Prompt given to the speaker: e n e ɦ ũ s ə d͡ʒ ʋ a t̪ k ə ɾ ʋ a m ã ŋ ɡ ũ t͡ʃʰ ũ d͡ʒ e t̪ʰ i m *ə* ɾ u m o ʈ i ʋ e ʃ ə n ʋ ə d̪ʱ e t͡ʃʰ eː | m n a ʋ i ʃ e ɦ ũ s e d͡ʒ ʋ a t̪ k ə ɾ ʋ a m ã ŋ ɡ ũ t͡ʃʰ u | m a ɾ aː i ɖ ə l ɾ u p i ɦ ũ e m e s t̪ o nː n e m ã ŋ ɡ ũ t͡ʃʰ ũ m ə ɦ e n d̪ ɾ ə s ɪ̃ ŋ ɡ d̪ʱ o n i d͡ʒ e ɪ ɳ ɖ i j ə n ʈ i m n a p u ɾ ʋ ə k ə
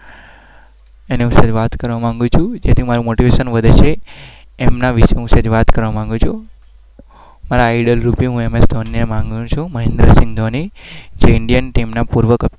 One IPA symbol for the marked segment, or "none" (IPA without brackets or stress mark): a